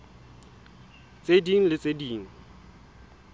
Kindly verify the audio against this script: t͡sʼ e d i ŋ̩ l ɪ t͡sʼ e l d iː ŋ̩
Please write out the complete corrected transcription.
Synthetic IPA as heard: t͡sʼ e d i ŋ̩ l ɪ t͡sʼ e d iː ŋ̩